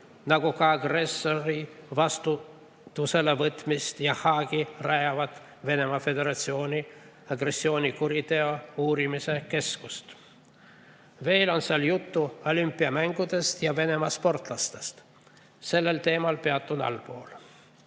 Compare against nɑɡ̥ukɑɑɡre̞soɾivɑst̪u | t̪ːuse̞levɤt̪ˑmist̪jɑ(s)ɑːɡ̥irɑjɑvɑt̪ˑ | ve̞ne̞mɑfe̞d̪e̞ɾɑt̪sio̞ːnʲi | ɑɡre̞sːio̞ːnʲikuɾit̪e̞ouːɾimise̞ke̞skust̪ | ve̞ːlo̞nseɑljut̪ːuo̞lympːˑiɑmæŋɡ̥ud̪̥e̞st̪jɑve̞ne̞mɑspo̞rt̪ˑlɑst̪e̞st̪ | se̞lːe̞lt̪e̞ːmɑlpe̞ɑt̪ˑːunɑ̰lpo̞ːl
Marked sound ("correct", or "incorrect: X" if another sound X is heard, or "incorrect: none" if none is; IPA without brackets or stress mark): incorrect: h